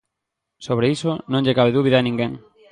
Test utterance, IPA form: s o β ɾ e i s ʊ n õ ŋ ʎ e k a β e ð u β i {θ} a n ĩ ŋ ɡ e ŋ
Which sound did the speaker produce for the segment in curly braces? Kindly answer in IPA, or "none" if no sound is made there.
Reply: ð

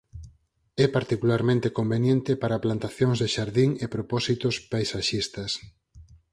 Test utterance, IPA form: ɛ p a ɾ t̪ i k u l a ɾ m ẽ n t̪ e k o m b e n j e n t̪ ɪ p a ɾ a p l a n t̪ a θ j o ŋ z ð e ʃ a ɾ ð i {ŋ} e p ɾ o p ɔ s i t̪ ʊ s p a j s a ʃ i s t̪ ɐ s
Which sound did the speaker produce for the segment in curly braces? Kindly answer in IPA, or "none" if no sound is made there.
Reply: ŋ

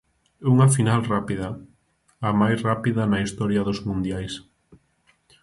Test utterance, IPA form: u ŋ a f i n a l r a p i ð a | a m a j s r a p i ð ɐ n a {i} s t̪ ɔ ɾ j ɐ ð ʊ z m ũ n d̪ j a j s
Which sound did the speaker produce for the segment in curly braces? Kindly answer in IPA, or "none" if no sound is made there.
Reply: i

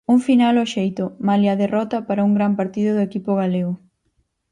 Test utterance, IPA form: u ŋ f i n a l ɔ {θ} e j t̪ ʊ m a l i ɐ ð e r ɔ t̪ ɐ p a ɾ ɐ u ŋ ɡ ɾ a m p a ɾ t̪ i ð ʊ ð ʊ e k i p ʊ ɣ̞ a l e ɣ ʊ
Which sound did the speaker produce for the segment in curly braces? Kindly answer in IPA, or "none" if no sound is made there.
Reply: ʃ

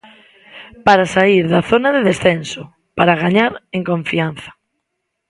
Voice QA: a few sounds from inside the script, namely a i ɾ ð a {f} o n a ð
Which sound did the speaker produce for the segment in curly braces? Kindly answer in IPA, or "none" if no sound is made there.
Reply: θ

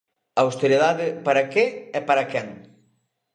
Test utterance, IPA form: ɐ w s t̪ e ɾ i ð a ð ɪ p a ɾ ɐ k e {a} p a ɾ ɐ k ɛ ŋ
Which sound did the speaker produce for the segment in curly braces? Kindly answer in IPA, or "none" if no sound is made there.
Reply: ɛ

